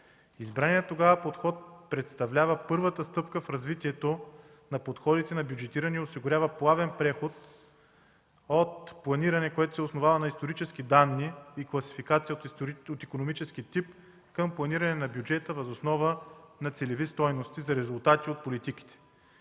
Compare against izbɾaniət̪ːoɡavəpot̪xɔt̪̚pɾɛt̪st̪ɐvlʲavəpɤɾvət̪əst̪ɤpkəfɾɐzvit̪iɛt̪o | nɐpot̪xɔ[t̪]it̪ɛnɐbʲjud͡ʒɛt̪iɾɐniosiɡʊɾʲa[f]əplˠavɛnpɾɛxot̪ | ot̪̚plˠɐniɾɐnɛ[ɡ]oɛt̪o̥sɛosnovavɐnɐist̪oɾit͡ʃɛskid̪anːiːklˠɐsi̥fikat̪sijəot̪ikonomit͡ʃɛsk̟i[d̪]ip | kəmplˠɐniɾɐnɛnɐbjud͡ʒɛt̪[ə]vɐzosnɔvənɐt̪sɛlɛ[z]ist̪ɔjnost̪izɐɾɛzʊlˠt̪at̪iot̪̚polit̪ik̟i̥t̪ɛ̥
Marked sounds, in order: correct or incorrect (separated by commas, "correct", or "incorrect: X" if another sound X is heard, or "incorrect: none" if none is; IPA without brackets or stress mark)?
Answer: incorrect: d̪, incorrect: v, incorrect: k, incorrect: t̪, correct, incorrect: v